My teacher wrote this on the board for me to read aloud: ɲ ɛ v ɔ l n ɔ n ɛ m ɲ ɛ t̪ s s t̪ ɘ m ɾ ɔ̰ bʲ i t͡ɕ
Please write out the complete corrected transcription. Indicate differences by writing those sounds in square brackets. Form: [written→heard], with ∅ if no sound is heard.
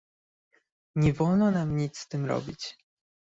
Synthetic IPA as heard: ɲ ɛ v ɔ l n ɔ n [ɛ→a] m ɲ [ɛ→i] t̪ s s t̪ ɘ m ɾ ɔ̰ bʲ i t͡ɕ